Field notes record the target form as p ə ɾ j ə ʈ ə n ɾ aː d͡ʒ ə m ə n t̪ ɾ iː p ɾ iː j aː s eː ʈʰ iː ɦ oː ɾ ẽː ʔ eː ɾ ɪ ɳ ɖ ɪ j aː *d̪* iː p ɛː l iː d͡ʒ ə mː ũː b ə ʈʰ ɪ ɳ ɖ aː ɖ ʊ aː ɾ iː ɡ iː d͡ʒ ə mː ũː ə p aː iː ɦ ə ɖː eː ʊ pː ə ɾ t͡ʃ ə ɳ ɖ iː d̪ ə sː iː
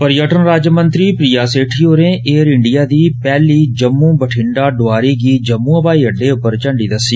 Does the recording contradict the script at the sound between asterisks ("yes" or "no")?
no